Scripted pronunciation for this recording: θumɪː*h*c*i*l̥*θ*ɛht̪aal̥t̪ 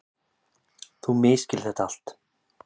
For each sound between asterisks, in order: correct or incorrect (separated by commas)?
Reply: incorrect, incorrect, correct